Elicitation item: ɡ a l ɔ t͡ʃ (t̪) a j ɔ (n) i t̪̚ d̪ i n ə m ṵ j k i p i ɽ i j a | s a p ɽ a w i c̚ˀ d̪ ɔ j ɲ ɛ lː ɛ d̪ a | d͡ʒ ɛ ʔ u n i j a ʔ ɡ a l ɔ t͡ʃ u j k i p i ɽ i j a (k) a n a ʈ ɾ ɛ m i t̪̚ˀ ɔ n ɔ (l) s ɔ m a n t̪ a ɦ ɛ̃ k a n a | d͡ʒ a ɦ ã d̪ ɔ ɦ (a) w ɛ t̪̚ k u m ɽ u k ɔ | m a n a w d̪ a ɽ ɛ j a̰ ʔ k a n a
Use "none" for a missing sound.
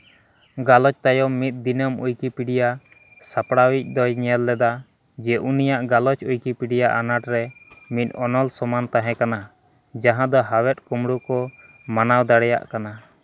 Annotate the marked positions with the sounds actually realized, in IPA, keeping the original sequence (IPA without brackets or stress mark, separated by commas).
t̪, m, ʔ, l, a